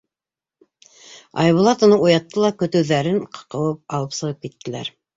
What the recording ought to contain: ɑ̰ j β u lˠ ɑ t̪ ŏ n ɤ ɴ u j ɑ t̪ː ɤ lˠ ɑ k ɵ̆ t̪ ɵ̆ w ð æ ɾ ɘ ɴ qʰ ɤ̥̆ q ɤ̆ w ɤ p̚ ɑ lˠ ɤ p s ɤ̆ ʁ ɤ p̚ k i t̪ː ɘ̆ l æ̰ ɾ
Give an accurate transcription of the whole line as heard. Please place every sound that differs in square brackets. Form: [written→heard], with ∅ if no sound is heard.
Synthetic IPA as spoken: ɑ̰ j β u lˠ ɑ t̪ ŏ n ɤ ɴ u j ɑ t̪ː ɤ lˠ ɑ k ɵ̆ t̪ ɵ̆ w ð æ ɾ ɘ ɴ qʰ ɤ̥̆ q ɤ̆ w ɤ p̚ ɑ lˠ ɤ p s ɤ̆ ʁ ɤ p̚ k i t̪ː ɘ̆ l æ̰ ɾ